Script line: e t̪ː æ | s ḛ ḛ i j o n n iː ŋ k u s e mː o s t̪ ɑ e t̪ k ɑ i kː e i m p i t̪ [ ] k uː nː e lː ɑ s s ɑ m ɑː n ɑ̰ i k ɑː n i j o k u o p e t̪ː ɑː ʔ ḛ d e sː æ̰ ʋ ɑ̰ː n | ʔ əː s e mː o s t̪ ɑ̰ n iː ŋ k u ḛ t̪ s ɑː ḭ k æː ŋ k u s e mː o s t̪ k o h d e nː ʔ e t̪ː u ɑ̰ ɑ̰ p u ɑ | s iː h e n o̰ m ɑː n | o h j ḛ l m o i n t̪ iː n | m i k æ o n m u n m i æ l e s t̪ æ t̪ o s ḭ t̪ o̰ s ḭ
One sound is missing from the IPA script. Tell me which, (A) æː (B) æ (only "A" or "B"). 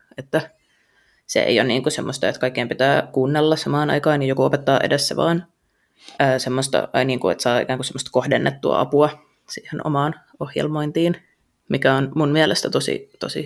A